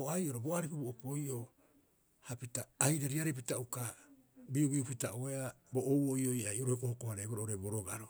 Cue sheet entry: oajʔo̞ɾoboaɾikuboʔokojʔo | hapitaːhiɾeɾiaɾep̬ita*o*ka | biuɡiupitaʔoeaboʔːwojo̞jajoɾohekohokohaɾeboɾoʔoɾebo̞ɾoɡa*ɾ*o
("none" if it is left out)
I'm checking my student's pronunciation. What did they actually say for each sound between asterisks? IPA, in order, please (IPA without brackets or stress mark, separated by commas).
u, ɾ